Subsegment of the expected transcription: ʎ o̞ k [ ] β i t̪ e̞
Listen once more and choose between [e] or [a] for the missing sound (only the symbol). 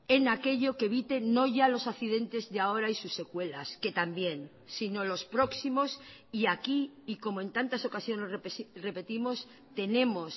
e